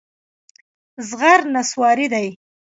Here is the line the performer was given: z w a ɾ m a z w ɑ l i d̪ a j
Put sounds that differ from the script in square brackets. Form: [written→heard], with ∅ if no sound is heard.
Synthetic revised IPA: z [w→ɣ] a ɾ [m→n] a [z→s] w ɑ [l→ɾ] i d̪ a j